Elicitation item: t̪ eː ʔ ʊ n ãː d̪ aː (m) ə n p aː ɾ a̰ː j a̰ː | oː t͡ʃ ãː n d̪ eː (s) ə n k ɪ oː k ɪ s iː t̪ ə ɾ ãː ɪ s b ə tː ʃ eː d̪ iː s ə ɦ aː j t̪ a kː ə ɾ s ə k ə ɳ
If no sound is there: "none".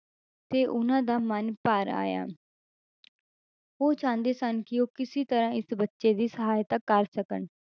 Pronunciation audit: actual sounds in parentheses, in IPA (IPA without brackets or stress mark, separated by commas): m, s